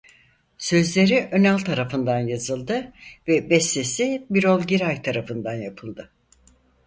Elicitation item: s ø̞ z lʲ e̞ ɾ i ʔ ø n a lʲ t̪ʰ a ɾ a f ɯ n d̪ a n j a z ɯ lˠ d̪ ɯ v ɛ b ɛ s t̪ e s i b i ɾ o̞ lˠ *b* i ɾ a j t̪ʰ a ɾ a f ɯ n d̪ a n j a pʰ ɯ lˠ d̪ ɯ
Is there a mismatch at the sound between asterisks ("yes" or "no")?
yes